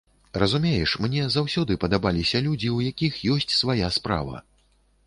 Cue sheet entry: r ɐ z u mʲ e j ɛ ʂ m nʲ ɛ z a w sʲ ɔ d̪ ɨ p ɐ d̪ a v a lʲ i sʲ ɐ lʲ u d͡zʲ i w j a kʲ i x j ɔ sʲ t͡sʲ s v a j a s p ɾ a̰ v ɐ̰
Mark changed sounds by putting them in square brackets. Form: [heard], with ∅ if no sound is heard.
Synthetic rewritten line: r ɐ z u mʲ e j ɛ ʂ m nʲ ɛ z a w sʲ ɔ d̪ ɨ p ɐ d̪ a [b] a lʲ i sʲ ɐ lʲ u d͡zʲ i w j a kʲ i x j ɔ sʲ t͡sʲ s v a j a s p ɾ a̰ v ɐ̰